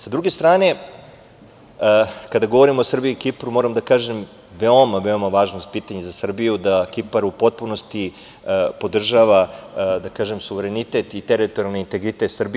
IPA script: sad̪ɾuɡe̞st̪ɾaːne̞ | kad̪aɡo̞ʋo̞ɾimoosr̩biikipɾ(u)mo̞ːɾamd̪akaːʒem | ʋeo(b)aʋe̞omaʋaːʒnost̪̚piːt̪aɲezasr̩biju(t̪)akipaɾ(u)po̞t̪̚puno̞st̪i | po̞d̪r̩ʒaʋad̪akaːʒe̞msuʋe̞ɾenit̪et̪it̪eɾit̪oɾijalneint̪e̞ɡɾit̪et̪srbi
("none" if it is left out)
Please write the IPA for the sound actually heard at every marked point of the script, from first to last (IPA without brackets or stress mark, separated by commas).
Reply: u, m, d̪, u